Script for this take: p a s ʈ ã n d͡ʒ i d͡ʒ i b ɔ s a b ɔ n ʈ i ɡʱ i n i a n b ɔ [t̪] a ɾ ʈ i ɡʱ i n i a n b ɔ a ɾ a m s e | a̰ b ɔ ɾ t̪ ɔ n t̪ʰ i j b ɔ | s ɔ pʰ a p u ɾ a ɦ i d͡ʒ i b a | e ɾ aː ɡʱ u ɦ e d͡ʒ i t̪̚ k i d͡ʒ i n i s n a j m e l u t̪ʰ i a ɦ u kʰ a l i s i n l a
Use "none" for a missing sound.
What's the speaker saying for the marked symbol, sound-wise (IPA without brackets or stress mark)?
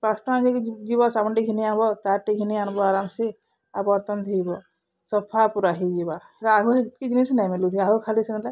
t̪